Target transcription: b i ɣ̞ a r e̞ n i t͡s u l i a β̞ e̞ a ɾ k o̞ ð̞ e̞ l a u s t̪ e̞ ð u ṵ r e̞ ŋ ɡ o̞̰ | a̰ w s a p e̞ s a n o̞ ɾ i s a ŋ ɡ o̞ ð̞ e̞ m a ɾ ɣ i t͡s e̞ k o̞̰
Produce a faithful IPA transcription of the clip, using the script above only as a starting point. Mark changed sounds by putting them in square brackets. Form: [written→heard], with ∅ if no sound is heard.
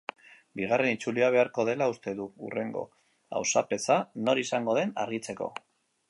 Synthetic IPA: b i ɣ̞ a r e̞ n i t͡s u l i a β̞ e̞ a ɾ k o̞ ð̞ e̞ l a u s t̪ e̞ ð u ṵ r e̞ ŋ ɡ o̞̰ | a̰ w s a p e̞ s a n o̞ ɾ i s a ŋ ɡ o̞ ð̞ e̞ [m→n] a ɾ ɣ i t͡s e̞ k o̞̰